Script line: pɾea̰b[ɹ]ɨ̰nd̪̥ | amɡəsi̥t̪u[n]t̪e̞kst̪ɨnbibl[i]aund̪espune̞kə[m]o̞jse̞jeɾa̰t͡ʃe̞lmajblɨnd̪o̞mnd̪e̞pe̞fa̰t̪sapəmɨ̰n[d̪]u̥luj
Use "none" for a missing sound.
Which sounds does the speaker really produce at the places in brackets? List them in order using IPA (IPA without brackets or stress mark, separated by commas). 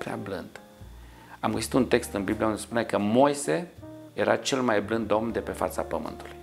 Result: l, n, i, m, t̪